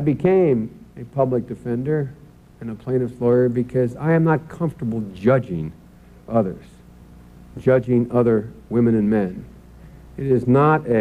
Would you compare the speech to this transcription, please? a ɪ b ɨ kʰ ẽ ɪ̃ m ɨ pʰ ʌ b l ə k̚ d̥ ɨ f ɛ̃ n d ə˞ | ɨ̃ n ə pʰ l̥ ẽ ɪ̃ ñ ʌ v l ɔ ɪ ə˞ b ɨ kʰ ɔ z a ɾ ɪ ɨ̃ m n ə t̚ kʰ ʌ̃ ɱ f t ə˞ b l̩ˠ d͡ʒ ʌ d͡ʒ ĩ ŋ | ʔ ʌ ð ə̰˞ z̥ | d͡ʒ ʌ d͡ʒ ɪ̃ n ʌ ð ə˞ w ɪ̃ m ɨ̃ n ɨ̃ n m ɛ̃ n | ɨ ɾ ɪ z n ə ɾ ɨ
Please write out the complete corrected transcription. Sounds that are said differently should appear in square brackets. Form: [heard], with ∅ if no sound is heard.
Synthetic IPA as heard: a ɪ b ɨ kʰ ẽ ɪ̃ m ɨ pʰ ʌ b l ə k̚ d̥ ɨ f ɛ̃ n d ə˞ | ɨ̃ n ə pʰ l̥ ẽ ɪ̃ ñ ʌ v l ɔ ɪ ə˞ b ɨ kʰ [ʌ] z a [∅] ɪ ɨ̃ m n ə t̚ kʰ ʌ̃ ɱ f t ə˞ b l̩ˠ d͡ʒ ʌ d͡ʒ [ɪ̃] ŋ | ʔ ʌ ð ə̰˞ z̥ | d͡ʒ ʌ d͡ʒ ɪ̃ [ŋ] ʌ ð ə˞ w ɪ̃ m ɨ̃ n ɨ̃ n m ɛ̃ n | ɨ ɾ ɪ z n ə ɾ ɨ